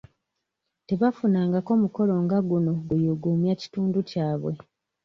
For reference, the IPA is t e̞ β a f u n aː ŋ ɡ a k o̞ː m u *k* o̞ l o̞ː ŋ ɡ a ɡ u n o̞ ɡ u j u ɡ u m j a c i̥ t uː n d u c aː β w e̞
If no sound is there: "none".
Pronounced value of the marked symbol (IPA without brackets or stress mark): k